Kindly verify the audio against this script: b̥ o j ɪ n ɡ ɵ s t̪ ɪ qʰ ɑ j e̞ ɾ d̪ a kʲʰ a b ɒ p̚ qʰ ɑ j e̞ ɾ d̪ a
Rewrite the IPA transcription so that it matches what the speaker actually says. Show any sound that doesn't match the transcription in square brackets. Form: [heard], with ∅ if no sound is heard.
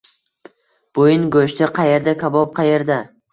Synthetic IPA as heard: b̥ o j ɪ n ɡ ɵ [ʃ] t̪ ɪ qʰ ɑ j e̞ ɾ d̪ a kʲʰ a b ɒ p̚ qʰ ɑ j e̞ ɾ d̪ a